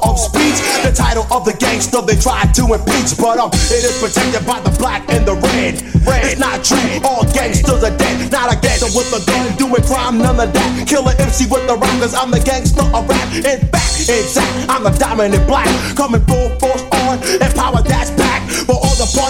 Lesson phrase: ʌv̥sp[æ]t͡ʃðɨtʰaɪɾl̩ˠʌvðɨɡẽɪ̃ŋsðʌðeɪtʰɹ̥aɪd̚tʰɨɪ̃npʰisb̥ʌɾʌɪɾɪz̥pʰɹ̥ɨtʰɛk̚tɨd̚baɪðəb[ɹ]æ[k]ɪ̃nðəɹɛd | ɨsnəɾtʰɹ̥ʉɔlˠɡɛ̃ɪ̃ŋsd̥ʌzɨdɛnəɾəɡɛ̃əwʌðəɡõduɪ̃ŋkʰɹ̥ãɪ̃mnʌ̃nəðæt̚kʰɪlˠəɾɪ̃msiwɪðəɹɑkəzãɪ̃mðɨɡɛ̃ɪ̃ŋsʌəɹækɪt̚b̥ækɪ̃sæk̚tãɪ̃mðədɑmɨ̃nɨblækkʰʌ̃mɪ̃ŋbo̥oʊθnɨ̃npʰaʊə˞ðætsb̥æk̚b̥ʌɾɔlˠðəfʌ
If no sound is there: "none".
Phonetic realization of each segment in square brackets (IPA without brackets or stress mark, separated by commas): i, l, k